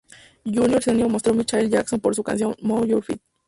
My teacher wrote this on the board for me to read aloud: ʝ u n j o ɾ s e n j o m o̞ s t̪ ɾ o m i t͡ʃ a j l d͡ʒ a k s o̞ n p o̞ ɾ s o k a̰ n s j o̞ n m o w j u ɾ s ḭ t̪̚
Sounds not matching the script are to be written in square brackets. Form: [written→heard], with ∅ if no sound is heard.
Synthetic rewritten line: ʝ u n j o ɾ s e n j o m o̞ s t̪ ɾ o m i t͡ʃ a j l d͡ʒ a k s o̞ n p o̞ ɾ s [o→u] k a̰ n s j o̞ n m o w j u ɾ [s→f] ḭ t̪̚